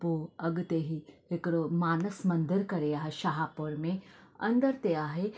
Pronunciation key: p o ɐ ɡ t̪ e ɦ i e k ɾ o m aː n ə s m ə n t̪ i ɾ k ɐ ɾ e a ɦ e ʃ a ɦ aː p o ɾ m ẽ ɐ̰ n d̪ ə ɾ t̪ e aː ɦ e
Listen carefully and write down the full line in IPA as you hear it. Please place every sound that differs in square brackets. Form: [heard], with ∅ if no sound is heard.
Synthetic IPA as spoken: p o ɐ ɡ t̪ e ɦ i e k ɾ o m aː n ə s m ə n [d̪] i ɾ k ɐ ɾ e a ɦ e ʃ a ɦ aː p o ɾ m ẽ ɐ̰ n d̪ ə ɾ t̪ e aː ɦ e